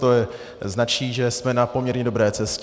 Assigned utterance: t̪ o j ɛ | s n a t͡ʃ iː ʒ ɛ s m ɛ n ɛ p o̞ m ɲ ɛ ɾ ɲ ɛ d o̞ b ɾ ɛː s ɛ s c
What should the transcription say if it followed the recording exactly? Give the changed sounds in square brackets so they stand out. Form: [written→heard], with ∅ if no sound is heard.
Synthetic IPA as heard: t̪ o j ɛ | [s→z] n a t͡ʃ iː ʒ ɛ s m ɛ n [ɛ→a] p o̞ m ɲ ɛ ɾ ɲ ɛ d o̞ b ɾ ɛː [s→t͡s] ɛ s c